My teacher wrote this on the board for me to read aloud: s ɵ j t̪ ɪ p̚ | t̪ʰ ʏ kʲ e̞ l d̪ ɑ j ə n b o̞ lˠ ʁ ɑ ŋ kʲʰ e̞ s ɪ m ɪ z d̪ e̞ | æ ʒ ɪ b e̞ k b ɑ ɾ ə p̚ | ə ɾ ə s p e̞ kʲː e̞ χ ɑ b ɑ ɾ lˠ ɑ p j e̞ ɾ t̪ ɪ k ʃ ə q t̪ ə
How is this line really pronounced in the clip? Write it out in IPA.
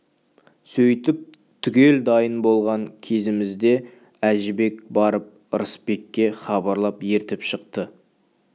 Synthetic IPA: s ɵ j t̪ ɪ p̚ | t̪ʰ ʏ kʲ e̞ l d̪ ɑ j ə n b o̞ lˠ ʁ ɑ ŋ kʲʰ e̞ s ɪ m ɪ z d̪ e̞ | æ ʒ ɪ b e̞ k b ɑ ɾ ə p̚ | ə ɾ ə s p e̞ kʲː e̞ χ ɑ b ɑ ɾ lˠ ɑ p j e̞ ɾ t̪ ɪ p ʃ ə q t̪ ə